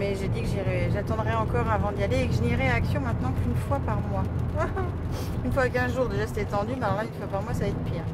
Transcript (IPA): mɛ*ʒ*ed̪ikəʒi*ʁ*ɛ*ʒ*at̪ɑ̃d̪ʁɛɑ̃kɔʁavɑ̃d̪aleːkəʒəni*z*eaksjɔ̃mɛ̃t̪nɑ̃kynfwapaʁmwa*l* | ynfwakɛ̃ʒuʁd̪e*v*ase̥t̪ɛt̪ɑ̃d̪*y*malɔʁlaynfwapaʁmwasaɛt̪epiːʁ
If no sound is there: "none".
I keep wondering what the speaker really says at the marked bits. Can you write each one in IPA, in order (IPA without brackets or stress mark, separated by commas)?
ʒ, ʁ, ʒ, ʁ, none, ʒ, y